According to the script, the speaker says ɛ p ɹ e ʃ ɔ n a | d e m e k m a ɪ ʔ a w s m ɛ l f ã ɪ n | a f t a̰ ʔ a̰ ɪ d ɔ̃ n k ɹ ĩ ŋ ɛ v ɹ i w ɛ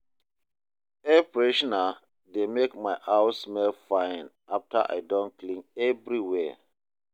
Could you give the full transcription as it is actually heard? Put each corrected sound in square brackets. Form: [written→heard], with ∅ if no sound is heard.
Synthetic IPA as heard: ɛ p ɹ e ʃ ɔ n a | d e m e k m a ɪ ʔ a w s m ɛ l f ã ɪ n | a f t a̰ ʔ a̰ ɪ d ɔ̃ n k [ɹ→l] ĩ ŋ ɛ v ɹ i w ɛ